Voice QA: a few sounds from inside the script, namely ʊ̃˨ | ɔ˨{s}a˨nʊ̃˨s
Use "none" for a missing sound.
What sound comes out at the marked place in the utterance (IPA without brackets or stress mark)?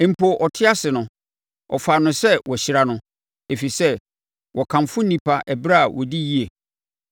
f